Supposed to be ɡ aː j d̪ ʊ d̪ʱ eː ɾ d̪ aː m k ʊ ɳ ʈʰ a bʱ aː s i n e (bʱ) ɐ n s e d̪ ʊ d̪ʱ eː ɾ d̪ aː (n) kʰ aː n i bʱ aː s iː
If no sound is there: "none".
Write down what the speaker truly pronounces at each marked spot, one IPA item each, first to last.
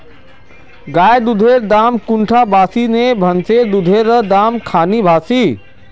bʱ, m

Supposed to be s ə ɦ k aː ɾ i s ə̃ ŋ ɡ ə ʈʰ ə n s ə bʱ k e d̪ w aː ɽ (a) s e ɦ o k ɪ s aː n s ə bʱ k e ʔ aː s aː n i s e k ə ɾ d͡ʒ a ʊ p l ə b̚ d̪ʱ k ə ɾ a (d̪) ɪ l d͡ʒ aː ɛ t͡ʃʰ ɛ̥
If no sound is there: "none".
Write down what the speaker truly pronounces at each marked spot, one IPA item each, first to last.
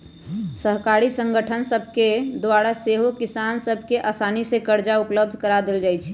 a, d̪

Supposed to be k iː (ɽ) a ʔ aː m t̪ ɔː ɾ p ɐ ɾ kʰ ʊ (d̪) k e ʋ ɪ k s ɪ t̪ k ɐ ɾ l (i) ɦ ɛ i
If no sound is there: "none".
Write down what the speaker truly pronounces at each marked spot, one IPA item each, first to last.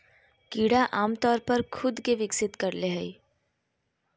ɽ, d̪, e

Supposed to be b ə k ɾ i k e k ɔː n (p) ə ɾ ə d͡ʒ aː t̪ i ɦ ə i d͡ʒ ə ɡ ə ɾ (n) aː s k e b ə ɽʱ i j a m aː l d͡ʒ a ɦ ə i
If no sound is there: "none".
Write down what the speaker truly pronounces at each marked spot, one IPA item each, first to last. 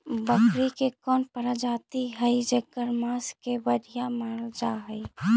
p, m

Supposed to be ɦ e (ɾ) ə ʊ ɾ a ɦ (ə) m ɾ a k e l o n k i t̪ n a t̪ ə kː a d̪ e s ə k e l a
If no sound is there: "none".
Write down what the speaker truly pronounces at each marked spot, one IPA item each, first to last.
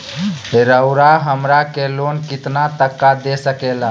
ɾ, ə

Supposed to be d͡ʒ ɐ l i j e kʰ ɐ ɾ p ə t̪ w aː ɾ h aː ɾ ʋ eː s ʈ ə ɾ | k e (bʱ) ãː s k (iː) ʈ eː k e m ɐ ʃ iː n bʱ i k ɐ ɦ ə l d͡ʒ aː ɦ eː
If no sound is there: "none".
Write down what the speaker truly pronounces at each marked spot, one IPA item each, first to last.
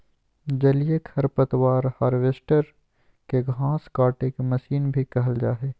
ɡʱ, aː

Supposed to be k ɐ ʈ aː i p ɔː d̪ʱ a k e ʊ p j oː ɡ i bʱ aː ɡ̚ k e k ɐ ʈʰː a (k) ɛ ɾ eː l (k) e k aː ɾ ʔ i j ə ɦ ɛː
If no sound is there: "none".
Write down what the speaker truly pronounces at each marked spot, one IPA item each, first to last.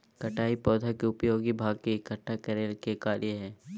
k, k

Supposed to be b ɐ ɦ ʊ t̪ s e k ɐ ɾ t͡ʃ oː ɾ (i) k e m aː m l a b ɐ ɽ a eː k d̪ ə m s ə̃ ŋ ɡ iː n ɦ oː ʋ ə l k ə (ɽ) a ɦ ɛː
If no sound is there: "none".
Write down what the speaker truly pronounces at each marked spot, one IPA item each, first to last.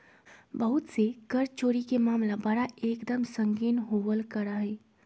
i, ɾ

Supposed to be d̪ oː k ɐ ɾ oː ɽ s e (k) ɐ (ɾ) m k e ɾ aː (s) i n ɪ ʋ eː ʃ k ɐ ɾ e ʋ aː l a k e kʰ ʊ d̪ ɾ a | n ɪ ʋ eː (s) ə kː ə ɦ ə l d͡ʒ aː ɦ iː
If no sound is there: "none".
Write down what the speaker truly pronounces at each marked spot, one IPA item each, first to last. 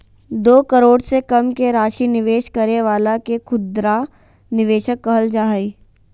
k, none, ʃ, ʃ

